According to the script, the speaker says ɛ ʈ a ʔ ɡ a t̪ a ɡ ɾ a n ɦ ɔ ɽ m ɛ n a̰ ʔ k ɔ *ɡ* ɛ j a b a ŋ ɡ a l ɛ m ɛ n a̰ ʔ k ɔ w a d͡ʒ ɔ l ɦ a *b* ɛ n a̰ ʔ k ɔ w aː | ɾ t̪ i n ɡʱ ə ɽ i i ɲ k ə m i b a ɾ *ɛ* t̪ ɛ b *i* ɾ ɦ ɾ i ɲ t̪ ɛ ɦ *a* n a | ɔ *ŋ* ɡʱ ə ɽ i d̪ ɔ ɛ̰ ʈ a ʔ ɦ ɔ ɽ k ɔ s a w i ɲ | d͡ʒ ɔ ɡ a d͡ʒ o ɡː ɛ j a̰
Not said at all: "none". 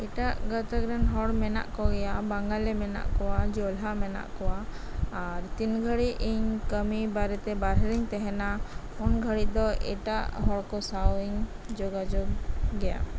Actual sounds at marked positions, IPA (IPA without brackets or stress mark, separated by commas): ɡ, m, ɛ, a, ɛ, n